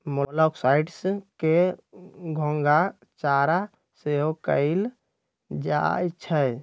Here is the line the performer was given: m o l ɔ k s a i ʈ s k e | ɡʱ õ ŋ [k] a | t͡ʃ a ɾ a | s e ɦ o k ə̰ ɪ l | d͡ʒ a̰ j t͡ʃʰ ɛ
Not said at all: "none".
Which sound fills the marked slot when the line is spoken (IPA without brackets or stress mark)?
ɡ